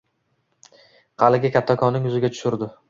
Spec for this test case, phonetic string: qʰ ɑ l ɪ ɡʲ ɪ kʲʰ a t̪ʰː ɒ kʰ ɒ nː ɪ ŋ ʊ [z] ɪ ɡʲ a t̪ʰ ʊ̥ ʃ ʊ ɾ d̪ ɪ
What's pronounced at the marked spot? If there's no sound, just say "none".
z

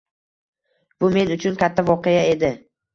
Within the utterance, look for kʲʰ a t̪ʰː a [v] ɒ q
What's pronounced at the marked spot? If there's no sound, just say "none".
v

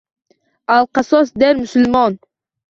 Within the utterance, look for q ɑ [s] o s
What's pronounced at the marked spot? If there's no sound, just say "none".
s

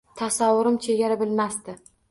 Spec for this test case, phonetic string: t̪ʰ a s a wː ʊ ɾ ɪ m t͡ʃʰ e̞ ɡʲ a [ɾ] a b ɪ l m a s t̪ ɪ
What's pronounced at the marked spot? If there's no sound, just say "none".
ɾ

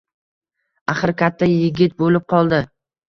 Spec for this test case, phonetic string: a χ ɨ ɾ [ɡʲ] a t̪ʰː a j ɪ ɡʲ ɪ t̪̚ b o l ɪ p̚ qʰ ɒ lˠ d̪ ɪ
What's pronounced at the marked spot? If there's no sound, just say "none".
kʲ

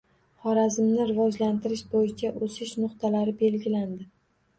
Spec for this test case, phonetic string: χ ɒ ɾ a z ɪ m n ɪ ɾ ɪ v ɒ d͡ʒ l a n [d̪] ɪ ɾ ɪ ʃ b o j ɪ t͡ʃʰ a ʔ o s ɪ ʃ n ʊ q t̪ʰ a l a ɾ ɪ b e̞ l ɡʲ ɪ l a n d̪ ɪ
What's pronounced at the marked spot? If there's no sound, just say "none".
t̪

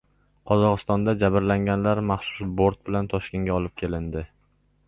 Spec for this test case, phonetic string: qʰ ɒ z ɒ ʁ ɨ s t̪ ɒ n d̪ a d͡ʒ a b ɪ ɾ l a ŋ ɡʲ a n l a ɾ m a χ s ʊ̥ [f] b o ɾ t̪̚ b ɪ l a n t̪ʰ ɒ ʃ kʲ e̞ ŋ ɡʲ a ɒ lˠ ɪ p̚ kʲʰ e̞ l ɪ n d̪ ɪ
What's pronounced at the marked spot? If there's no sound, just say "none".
s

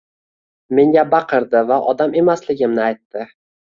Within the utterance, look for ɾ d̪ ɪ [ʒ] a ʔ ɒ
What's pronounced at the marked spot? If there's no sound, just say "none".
v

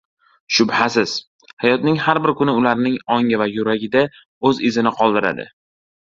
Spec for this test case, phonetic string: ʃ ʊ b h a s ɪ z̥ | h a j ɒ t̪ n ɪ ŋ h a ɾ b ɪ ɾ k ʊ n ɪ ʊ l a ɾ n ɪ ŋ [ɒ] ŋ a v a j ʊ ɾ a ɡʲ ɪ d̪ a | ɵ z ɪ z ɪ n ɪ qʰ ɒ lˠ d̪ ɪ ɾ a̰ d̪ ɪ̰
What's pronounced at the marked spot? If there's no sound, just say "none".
ɒ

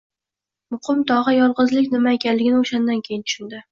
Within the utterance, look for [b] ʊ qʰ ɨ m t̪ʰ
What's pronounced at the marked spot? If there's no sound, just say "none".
m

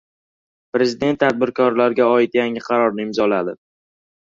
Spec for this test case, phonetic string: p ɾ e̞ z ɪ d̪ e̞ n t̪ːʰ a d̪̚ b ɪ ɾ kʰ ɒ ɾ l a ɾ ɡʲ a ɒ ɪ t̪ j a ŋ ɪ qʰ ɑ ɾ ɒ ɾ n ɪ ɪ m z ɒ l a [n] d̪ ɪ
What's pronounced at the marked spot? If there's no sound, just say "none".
none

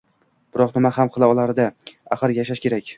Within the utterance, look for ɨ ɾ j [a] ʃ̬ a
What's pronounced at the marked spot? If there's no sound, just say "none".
a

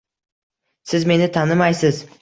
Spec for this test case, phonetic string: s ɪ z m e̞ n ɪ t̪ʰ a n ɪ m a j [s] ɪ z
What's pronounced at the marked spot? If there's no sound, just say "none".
s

